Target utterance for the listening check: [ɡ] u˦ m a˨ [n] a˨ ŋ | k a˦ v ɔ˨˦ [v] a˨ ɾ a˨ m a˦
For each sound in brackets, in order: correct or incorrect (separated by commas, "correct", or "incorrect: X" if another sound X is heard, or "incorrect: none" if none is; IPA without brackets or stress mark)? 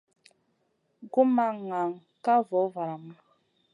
correct, incorrect: ŋ, correct